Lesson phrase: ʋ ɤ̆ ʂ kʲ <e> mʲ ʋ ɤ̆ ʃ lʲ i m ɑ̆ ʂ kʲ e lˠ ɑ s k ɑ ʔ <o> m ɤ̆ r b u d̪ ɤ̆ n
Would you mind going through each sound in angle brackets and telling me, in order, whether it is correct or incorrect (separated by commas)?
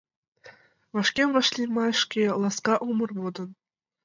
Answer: correct, incorrect